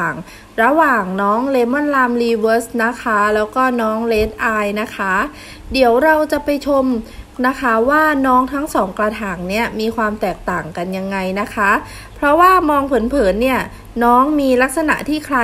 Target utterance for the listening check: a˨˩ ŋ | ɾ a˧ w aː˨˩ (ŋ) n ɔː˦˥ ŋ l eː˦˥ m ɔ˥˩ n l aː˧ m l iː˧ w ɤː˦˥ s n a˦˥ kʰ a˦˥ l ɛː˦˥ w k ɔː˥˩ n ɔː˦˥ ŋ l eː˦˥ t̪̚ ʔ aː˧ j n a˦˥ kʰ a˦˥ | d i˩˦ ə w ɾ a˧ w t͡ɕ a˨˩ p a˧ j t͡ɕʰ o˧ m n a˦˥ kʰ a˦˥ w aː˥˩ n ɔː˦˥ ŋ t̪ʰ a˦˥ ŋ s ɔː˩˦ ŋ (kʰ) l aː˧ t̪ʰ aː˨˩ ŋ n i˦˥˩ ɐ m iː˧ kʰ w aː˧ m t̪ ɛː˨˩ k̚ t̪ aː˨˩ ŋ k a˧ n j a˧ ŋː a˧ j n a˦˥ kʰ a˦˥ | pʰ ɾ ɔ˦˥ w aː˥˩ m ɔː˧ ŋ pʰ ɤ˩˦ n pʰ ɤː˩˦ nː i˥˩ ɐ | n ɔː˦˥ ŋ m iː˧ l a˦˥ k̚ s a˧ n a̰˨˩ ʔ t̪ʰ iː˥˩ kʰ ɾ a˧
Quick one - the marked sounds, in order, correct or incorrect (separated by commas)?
correct, incorrect